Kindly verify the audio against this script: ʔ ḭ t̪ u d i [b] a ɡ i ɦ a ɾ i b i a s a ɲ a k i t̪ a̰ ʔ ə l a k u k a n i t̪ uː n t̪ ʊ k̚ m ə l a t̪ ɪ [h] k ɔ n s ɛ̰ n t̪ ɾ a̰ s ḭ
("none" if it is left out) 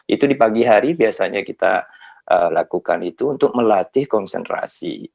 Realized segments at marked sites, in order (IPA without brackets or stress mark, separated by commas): p, h